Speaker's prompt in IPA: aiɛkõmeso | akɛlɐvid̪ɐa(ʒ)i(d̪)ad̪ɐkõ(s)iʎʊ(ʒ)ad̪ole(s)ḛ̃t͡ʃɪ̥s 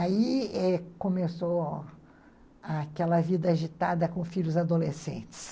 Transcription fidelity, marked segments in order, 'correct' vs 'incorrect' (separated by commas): correct, incorrect, incorrect, incorrect, correct